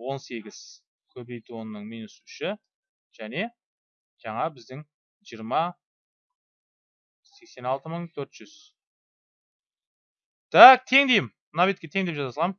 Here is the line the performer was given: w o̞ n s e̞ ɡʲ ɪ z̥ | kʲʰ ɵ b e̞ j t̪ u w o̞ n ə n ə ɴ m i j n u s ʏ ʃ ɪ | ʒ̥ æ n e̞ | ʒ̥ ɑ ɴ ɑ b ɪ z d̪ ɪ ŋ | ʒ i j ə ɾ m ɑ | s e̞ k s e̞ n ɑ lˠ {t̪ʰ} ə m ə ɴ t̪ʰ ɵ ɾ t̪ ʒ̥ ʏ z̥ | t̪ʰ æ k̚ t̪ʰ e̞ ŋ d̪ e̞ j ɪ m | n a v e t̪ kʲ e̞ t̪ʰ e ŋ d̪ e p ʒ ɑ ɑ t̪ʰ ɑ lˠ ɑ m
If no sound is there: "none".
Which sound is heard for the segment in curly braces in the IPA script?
t̪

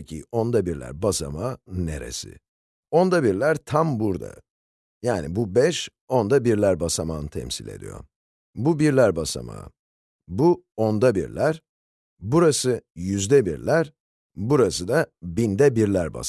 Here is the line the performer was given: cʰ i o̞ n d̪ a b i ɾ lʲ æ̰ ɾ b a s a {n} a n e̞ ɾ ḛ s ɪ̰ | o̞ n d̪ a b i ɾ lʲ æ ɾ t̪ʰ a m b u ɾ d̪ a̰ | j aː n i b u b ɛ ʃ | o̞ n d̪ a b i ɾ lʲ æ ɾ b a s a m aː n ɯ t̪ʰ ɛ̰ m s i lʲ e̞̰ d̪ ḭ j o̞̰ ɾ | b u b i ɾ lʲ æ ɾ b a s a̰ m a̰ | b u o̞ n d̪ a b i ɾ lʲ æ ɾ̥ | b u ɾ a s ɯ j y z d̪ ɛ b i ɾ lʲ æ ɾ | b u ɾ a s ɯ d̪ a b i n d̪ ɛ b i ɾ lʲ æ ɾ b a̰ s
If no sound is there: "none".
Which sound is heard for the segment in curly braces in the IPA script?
m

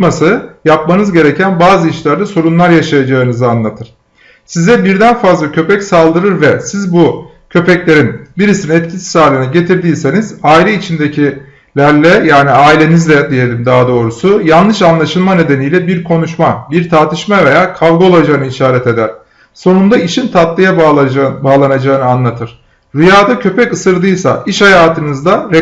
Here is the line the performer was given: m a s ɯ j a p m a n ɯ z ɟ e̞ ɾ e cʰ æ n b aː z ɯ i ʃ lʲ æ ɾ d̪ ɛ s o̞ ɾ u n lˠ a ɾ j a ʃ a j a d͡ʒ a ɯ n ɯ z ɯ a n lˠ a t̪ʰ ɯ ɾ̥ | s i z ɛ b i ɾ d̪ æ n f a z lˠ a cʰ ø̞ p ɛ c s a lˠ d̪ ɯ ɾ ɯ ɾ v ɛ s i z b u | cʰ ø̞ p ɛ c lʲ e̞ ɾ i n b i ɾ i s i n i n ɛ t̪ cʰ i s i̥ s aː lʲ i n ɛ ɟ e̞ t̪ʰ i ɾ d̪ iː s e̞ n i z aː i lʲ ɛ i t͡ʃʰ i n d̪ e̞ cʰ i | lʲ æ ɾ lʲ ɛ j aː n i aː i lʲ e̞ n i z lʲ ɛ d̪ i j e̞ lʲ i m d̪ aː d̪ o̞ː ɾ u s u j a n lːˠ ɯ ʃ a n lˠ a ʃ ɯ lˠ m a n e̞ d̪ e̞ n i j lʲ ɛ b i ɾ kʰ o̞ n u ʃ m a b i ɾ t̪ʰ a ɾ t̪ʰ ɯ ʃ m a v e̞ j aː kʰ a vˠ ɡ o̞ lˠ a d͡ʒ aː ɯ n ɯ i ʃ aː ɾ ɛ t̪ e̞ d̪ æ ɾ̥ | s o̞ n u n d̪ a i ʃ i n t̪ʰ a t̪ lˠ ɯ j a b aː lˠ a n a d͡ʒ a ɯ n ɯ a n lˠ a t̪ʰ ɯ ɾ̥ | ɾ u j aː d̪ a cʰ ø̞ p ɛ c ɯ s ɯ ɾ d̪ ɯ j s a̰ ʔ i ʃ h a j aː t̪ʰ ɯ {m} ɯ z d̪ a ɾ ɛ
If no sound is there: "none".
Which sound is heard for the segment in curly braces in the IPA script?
n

